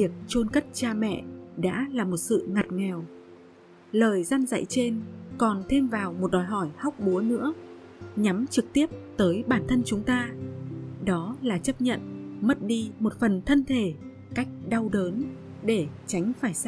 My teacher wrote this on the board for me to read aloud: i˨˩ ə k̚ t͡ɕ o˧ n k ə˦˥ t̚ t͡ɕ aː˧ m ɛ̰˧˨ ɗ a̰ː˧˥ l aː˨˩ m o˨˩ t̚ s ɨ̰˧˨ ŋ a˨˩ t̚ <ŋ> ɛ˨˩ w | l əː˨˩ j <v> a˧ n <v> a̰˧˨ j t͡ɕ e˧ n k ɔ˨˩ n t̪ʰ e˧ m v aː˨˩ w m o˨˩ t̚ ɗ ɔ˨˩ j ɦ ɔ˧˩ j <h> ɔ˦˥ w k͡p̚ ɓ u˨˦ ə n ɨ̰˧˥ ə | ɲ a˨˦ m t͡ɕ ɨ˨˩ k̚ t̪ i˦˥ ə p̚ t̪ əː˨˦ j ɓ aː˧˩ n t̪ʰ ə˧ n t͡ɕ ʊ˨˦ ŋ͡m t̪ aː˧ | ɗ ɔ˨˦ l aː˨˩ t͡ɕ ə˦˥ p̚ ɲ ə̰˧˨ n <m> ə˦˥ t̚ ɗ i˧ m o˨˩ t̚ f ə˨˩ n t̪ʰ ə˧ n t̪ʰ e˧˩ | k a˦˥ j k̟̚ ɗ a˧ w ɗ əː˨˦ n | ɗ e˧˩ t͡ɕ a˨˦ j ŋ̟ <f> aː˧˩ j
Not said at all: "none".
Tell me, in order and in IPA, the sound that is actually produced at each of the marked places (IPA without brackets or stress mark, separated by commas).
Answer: ŋ, z, z, h, m, f